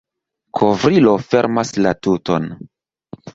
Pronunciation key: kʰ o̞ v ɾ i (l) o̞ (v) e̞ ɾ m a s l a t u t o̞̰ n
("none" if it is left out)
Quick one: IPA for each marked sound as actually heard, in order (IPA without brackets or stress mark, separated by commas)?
l, f